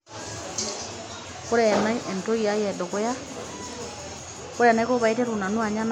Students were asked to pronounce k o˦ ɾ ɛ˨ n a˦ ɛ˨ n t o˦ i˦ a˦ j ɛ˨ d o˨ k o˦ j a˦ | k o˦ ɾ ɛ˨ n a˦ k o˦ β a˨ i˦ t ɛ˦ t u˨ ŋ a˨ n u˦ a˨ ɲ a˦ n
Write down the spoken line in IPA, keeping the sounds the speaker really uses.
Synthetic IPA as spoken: k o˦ ɾ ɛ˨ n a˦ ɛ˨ n t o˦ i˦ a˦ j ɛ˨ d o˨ k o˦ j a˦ | k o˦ ɾ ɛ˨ n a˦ k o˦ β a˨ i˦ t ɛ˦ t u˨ n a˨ n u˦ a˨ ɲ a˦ n

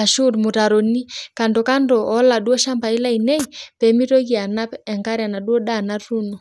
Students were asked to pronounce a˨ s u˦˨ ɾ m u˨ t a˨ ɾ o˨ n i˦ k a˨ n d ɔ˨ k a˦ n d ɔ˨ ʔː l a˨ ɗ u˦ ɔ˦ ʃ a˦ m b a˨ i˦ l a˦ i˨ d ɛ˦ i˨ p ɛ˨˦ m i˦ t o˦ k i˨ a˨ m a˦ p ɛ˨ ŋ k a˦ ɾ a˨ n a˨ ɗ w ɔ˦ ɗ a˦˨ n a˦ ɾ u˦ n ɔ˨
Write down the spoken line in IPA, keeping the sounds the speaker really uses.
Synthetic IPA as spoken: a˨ ʃ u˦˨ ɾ m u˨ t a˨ ɾ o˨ n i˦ k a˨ n d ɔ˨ k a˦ n d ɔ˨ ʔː l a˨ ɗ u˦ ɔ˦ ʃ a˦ m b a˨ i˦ l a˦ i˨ n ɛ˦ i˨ p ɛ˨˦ m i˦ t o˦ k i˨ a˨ n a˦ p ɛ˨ ŋ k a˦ ɾ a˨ n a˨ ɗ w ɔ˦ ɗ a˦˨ n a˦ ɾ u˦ n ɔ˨

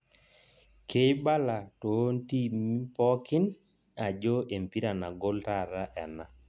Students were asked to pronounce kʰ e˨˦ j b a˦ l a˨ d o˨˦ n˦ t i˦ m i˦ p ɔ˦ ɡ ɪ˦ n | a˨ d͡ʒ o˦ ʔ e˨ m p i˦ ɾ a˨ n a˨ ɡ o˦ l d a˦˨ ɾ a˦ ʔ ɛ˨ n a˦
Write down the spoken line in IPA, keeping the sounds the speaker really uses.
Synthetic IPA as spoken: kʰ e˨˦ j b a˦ l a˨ t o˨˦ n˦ t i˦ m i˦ p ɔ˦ k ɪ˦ n | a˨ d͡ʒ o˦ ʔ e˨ m p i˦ ɾ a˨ n a˨ ɡ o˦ l t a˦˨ ɾ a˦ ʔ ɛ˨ n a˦

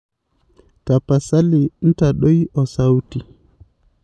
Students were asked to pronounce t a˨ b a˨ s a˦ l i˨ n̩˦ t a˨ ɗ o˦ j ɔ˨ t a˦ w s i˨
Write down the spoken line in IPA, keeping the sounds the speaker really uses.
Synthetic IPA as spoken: t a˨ p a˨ s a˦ l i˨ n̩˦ t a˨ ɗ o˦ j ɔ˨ s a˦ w t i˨

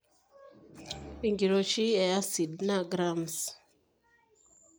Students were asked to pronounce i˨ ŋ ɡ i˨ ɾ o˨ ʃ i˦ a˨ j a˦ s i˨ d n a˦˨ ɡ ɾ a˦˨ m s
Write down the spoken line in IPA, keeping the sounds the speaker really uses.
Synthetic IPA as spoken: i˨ ŋ ɡ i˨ ɾ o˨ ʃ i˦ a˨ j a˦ s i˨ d n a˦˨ ɡ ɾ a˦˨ m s

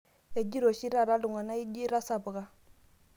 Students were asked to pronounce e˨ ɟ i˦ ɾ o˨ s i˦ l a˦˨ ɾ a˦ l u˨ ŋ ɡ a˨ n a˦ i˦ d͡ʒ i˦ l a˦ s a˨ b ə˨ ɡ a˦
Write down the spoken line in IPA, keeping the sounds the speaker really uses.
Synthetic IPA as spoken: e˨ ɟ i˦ ɾ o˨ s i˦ ɾ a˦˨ ɾ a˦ l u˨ ŋ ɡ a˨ n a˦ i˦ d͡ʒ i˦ ɾ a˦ s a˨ b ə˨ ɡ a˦

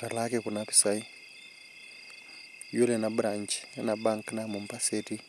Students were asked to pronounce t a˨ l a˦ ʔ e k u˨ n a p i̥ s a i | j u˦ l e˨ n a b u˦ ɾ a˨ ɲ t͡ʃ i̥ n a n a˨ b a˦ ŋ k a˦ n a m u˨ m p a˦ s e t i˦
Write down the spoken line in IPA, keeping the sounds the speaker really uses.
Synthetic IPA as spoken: t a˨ l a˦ k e k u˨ n a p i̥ s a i | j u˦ l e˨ n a b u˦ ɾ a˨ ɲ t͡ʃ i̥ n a n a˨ b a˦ ŋ k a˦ n a m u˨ m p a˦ s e t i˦

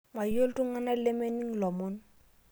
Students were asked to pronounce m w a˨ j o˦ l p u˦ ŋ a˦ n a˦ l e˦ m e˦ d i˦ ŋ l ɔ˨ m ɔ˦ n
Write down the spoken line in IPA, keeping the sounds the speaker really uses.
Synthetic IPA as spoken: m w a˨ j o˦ l t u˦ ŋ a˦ n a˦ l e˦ m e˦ n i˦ ŋ l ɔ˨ m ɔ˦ n

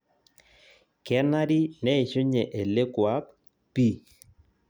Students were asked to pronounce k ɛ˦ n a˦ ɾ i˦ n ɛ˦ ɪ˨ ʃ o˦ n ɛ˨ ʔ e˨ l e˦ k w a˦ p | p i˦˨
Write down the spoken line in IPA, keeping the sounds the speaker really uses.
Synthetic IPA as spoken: k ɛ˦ n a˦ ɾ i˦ n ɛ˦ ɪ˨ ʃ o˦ ɲ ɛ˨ ʔ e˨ l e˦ k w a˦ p | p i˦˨

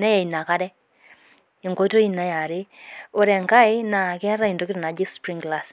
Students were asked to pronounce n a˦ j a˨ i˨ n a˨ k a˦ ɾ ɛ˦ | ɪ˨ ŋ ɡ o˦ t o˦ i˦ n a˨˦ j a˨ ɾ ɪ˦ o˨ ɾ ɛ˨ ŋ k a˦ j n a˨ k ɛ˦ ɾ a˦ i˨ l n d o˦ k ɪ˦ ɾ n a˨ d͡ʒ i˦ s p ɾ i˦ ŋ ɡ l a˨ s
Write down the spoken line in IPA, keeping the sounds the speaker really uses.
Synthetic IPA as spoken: n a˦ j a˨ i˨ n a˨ k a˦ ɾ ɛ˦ | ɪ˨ ŋ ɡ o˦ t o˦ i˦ n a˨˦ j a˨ ɾ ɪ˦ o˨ ɾ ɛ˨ ŋ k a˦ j n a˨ k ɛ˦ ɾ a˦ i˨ n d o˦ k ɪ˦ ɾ n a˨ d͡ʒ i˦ s p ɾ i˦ ŋ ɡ l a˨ s

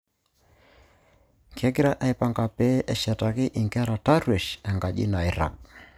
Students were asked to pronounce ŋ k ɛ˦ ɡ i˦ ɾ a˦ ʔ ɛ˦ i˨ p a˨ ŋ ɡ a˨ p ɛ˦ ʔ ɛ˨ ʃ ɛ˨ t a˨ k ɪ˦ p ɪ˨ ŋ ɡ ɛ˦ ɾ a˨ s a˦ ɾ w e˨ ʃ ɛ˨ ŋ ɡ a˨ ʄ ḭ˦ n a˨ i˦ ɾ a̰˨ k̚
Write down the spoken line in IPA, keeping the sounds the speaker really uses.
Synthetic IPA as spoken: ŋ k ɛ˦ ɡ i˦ ɾ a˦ ʔ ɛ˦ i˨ p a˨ ŋ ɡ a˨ p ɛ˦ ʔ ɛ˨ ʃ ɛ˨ t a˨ k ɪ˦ ʔ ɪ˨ ŋ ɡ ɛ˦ ɾ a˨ t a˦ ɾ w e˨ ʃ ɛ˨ ŋ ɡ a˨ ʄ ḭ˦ n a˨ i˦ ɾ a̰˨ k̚

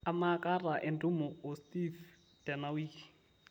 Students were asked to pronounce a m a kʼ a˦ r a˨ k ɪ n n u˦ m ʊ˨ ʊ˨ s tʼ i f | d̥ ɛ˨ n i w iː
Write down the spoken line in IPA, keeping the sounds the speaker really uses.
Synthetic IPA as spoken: a m a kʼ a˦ r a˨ ʔ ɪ n d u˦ m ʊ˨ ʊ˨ s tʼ i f | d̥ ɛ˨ n a w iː

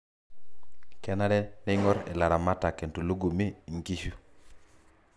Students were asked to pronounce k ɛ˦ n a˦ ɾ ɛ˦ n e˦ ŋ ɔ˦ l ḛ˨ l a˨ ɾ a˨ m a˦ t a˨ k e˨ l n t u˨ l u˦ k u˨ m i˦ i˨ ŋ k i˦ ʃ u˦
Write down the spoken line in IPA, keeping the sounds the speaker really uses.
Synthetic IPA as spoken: k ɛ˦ n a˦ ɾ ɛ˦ n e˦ ŋ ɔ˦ ɾ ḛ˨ l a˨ ɾ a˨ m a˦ t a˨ k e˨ n t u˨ l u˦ ɡ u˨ m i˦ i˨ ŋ k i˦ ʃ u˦

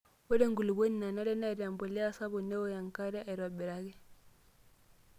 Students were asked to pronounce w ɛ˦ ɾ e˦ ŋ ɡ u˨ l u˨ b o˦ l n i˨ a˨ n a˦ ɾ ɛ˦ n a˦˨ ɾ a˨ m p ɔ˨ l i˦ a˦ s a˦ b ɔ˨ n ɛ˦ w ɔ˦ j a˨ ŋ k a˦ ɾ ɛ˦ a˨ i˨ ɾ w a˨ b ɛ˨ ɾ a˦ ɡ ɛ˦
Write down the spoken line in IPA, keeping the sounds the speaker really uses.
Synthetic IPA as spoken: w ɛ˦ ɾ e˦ ŋ ɡ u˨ l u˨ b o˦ n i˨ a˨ n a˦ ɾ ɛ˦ n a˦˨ ɾ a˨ m b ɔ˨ l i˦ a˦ s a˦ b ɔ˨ n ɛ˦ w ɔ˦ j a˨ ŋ k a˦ ɾ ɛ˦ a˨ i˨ ɾ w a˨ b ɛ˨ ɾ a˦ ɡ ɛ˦

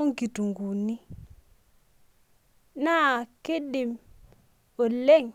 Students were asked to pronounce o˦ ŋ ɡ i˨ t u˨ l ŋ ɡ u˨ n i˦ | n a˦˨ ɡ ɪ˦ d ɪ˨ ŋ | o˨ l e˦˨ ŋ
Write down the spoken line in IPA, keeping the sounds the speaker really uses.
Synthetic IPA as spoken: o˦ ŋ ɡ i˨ t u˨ ŋ ɡ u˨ n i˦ | n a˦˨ k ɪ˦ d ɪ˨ m | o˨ l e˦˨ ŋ

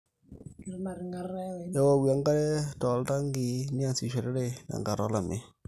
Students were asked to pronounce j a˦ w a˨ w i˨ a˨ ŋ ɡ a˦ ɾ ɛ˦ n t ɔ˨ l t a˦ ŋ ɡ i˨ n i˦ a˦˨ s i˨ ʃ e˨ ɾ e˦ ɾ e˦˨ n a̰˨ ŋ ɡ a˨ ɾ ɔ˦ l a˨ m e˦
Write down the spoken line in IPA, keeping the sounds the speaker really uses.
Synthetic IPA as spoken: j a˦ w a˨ w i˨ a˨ ŋ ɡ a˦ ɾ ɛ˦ t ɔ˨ l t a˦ ŋ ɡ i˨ n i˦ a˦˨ s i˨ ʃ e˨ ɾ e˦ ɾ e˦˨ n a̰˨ ŋ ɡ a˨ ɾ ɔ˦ l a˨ m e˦

